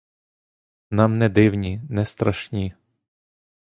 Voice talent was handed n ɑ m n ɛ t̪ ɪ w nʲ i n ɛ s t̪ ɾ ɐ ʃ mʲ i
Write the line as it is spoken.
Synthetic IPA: n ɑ m n ɛ d̪ ɪ w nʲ i n ɛ s t̪ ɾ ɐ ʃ nʲ i